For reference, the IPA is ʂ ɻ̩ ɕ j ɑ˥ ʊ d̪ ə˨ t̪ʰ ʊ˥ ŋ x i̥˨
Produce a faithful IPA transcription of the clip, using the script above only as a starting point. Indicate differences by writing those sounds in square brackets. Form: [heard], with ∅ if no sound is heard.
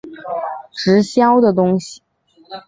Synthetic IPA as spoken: [ʈ͡ʂ] ɻ̩ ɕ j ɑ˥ ʊ d̪ ə˨ [t̪] ʊ˥ ŋ [ɕ] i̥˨